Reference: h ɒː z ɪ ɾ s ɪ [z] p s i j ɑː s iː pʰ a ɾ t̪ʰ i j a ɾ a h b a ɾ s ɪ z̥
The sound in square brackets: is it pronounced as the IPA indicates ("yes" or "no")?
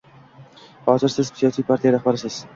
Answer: yes